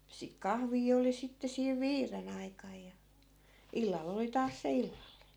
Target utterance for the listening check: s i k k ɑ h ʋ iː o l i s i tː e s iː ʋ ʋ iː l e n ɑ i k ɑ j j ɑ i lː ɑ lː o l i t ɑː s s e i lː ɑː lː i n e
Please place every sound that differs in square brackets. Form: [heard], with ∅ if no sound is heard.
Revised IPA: s i k k ɑ h ʋ iː o l i s i tː e s iː ʋ ʋ iː [r] e n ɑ i k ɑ j j ɑ i lː ɑ lː o l i t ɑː s s e i lː [ɑ] lː i n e